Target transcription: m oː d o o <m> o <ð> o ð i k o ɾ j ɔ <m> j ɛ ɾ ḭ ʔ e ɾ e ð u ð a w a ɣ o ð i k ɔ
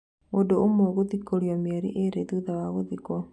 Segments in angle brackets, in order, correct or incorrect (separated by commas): correct, incorrect, correct